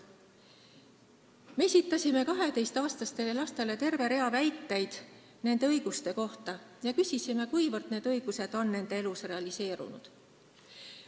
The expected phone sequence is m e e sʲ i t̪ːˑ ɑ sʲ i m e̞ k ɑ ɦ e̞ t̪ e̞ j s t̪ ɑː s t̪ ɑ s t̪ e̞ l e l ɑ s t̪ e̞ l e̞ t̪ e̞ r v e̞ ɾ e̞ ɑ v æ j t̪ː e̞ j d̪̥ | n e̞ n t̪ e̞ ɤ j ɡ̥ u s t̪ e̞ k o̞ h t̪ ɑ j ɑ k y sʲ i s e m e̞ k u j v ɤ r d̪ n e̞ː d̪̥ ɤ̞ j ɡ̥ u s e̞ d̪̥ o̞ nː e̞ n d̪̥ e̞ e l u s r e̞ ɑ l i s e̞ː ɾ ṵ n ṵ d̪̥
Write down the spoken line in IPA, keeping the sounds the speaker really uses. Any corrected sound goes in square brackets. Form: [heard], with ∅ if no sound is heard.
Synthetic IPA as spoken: m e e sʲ i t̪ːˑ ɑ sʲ i m e̞ k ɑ ɦ e̞ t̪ e̞ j s t̪ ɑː s t̪ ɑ s t̪ e̞ l e l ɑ s t̪ e̞ l e̞ t̪ e̞ r v e̞ ɾ e̞ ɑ v æ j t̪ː e̞ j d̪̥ | n e̞ n [d̪] e̞ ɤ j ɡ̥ u s t̪ e̞ k o̞ h t̪ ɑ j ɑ k y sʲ i s [i] m e̞ k u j v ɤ r d̪ n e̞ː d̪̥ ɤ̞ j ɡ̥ u s e̞ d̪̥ o̞ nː e̞ n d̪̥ e̞ e l u s r e̞ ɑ l i s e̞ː ɾ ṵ n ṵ d̪̥